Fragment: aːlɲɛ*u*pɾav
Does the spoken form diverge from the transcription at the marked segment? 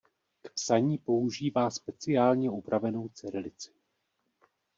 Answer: no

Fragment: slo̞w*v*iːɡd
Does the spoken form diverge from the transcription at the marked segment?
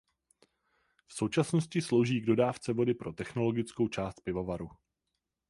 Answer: yes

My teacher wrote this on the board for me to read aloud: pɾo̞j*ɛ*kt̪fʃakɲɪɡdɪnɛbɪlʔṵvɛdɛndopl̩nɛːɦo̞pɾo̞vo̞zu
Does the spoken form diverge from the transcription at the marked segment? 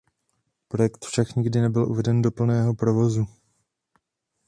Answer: no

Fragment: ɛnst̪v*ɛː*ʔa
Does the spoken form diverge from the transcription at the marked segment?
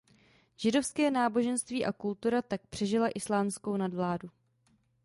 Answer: yes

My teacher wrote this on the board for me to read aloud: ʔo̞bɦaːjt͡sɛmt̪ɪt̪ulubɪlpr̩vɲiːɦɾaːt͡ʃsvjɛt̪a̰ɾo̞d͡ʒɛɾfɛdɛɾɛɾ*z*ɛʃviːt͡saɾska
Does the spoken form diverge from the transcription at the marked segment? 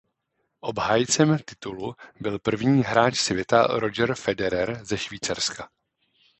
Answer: no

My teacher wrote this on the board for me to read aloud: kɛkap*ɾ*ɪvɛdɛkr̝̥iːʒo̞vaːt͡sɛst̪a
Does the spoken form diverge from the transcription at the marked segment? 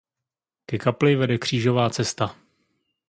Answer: yes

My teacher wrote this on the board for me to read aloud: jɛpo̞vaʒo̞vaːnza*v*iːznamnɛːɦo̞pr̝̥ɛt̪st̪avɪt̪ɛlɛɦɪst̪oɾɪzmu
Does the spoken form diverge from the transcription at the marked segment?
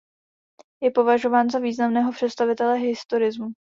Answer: no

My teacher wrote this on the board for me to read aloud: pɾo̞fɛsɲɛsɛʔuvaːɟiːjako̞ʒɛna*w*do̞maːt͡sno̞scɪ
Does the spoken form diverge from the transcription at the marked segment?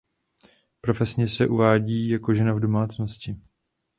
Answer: yes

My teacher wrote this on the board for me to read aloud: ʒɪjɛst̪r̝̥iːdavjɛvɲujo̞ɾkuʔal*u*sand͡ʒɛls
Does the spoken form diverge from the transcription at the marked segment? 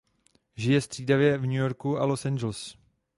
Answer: yes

